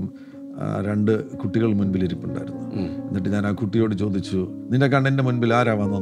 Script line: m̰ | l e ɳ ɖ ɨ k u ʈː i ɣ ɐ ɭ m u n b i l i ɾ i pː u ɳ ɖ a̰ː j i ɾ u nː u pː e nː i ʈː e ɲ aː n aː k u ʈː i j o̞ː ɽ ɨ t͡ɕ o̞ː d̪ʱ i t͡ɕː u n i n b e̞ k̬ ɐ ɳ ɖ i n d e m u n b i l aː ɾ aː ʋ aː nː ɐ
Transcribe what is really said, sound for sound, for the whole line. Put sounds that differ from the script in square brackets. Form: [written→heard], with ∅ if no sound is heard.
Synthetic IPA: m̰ | [l→ɾ] e ɳ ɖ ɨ k u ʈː i ɣ ɐ ɭ m u n b i l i ɾ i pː u ɳ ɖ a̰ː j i ɾ u nː u [pː→∅] e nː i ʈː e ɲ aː n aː k u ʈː i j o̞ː ɽ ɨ t͡ɕ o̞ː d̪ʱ i t͡ɕː u n i n [b→d] e̞ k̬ ɐ ɳ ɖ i n d e m u n b i l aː ɾ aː ʋ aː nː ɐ